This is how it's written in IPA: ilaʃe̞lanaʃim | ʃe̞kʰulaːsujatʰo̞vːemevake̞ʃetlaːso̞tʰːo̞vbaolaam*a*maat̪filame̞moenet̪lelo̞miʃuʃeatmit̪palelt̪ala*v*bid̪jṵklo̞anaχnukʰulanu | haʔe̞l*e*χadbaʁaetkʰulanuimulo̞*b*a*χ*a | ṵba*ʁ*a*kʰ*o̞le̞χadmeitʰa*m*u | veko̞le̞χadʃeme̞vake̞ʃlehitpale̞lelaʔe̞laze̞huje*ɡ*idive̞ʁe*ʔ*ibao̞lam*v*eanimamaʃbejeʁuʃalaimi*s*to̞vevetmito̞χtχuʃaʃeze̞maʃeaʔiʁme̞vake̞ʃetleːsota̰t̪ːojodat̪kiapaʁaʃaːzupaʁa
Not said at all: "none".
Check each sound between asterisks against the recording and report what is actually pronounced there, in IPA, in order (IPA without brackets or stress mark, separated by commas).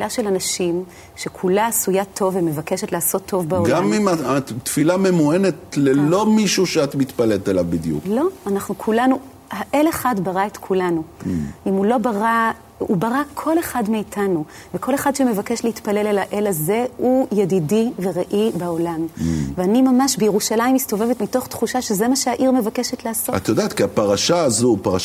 i, v, e, b, ʁ, ʁ, kʰ, n, d, ʔ, v, s